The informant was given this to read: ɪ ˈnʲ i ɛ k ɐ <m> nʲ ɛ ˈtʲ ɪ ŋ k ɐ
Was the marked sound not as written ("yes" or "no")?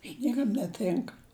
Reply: no